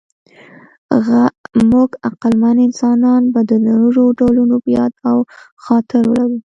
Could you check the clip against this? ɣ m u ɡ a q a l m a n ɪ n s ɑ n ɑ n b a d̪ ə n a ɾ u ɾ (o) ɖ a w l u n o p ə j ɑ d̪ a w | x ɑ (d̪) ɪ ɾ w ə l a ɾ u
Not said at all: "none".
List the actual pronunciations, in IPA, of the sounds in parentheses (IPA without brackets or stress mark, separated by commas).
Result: o, t̪